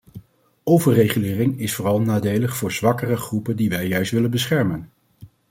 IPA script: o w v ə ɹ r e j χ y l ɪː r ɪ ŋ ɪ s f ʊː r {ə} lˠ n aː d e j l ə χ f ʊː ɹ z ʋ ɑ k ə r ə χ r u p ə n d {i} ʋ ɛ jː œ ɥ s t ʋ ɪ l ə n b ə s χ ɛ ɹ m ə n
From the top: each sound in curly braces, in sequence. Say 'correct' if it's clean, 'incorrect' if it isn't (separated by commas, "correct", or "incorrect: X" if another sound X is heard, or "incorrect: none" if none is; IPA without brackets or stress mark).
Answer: incorrect: ɑ, correct